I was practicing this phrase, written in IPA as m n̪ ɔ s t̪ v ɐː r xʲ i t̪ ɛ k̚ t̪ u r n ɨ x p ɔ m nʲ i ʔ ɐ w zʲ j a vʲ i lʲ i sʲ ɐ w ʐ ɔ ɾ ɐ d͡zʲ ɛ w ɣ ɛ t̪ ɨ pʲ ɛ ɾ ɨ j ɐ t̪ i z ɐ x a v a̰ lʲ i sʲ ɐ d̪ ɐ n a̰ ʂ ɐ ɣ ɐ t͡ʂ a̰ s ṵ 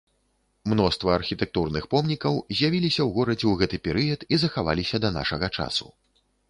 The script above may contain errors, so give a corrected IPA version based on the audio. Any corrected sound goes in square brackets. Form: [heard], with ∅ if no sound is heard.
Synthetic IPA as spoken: m n̪ ɔ s t̪ v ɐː r xʲ i t̪ ɛ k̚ t̪ u r n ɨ x p ɔ m nʲ i [k] ɐ w zʲ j a vʲ i lʲ i sʲ ɐ w [ɣ] ɔ ɾ ɐ d͡zʲ ɛ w ɣ ɛ t̪ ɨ pʲ ɛ ɾ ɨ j ɐ t̪ i z ɐ x a v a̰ lʲ i sʲ ɐ d̪ ɐ n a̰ ʂ ɐ ɣ ɐ t͡ʂ a̰ s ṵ